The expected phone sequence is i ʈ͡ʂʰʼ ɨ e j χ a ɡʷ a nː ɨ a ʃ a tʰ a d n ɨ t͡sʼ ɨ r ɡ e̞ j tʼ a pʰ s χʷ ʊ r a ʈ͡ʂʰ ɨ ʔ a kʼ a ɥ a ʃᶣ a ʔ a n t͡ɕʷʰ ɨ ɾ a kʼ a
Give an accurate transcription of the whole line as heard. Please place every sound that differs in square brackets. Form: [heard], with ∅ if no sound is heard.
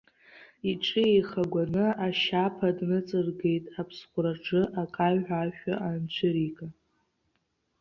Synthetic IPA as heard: i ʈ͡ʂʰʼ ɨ e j χ a ɡʷ a [n] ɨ a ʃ a [pʰ] a d n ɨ t͡sʼ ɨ r ɡ e̞ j tʼ a pʰ s χʷ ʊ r a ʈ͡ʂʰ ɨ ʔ a kʼ a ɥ a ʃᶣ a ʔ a n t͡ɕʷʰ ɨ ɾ [i] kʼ a

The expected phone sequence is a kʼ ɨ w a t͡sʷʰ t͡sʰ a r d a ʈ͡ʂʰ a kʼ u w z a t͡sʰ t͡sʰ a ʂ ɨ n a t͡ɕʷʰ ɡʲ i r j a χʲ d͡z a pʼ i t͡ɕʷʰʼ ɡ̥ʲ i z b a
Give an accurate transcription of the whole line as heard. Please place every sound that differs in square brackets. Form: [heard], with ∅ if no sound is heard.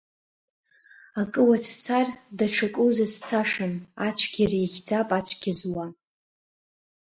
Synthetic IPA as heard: a kʼ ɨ w a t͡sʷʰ t͡sʰ a r d a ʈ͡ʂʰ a kʼ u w z a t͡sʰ t͡sʰ a ʂ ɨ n a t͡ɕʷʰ ɡʲ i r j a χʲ d͡z a pʼ [a] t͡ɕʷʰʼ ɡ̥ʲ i z [w] a

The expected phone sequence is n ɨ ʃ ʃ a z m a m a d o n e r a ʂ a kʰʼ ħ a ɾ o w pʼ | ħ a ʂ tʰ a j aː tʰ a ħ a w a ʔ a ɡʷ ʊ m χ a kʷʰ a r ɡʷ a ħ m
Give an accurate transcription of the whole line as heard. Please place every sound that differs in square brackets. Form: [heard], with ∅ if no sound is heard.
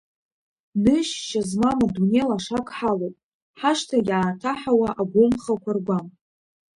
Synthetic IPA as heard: n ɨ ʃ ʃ a z m a m a d [u] n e [l] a ʂ a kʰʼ ħ a [l] o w pʼ | ħ a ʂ tʰ a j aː tʰ a ħ a w a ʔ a ɡʷ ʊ m χ a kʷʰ a r ɡʷ a [∅] m

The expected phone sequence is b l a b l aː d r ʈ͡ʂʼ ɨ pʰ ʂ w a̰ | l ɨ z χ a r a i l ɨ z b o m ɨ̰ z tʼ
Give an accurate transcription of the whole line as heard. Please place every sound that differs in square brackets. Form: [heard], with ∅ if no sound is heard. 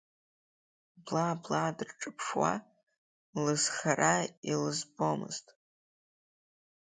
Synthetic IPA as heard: b l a b l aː d r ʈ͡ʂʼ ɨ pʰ ʂ w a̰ | l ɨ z χ a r a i l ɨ z b o m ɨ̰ z tʼ

